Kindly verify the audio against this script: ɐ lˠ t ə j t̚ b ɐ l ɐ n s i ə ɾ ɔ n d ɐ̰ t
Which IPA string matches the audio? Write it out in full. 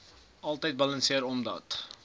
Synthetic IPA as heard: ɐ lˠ t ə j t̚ b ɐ l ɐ n s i ə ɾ ɔ m d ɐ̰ t